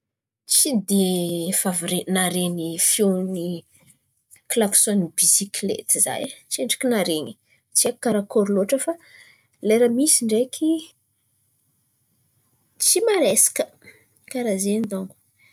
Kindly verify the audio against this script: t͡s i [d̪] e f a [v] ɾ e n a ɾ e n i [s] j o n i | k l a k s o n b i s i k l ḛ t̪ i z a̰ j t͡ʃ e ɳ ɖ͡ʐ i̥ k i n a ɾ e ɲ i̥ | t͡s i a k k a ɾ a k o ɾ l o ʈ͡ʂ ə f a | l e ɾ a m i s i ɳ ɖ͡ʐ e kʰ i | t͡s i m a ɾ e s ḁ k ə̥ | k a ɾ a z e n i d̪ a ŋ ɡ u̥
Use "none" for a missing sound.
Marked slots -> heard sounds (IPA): d̪, v, f

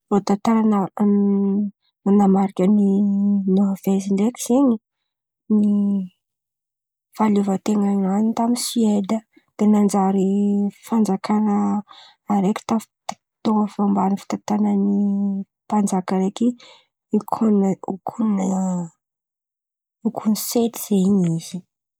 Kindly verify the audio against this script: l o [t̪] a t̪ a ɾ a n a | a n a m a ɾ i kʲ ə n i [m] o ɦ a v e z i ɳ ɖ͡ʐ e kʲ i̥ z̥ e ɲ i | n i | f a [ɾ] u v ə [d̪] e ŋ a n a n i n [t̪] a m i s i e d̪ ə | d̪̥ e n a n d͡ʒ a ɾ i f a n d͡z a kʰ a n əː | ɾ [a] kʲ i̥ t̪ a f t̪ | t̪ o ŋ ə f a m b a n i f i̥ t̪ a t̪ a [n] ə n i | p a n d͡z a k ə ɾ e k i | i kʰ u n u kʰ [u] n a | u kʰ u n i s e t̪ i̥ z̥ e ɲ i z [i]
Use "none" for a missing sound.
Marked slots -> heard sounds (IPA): t̪, n, l, t̪, t̪, e, n, u, i

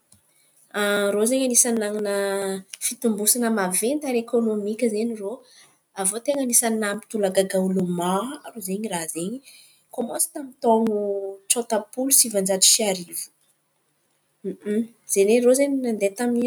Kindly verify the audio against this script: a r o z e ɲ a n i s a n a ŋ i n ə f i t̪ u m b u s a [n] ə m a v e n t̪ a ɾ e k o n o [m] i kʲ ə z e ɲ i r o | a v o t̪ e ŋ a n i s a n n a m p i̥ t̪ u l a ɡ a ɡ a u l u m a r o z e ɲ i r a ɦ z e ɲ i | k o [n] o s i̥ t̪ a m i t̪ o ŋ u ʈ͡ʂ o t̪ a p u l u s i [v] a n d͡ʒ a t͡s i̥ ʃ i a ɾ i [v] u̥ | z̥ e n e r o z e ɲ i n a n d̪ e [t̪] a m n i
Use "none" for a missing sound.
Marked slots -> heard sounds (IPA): n, m, m, v, v, t̪

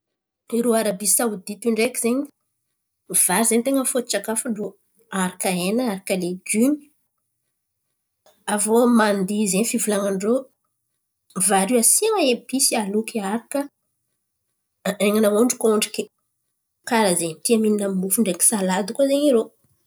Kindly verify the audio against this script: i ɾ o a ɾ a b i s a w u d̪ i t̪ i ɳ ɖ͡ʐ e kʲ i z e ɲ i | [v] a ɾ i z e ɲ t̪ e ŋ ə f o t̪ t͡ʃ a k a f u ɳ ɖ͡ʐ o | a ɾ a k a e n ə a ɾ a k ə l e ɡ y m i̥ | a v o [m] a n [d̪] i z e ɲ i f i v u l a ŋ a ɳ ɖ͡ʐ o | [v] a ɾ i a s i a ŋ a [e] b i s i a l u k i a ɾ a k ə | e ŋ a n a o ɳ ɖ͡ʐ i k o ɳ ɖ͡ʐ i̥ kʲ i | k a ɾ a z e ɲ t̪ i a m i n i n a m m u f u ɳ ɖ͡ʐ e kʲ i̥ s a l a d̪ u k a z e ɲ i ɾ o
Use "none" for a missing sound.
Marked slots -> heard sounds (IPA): v, m, d̪, v, e

